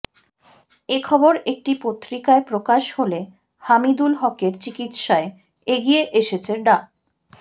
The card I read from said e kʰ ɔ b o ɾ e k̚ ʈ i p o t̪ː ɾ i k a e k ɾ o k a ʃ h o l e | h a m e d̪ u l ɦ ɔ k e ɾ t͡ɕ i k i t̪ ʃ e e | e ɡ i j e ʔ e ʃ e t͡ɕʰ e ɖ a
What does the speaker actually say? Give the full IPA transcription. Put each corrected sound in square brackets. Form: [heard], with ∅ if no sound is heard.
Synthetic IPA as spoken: e kʰ ɔ b o ɾ e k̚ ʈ i p o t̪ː ɾ i k a e [p] ɾ o k a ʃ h o l e | h a m [i] d̪ u l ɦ ɔ k e ɾ t͡ɕ i k i t̪ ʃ [a] e | e ɡ i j e ʔ e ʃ e t͡ɕʰ e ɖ a